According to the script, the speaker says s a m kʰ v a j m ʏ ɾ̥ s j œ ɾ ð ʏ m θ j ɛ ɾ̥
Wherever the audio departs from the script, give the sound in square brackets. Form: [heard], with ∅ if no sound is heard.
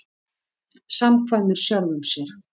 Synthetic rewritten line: s a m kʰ v a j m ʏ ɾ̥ s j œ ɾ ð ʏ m [s] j ɛ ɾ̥